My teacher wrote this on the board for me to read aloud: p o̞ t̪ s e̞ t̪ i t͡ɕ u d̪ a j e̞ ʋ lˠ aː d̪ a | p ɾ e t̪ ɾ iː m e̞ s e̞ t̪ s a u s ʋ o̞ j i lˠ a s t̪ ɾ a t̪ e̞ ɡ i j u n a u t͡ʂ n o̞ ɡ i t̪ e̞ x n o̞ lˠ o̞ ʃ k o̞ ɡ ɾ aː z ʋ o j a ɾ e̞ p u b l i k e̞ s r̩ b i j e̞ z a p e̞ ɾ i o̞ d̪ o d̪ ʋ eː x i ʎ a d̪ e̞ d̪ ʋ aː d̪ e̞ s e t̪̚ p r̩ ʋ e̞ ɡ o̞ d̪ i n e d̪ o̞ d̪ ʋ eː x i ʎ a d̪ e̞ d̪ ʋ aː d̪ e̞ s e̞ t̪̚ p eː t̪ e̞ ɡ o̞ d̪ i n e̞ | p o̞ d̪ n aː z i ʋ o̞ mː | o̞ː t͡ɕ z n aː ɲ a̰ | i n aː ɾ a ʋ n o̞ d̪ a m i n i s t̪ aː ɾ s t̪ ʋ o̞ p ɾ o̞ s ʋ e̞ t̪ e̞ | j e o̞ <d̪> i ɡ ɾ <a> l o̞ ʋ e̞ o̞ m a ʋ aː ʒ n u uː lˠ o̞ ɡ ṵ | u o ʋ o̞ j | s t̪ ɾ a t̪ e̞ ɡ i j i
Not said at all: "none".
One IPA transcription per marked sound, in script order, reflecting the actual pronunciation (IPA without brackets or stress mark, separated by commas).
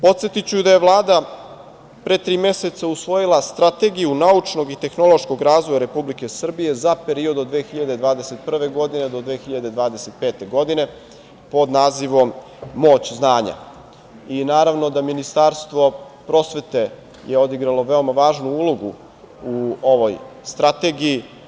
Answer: d̪, a